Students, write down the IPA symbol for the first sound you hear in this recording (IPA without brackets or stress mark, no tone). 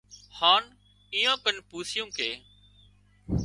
h